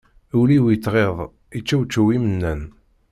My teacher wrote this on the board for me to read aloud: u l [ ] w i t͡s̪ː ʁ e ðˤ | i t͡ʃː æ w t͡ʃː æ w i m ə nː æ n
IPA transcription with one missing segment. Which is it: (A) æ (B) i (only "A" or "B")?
B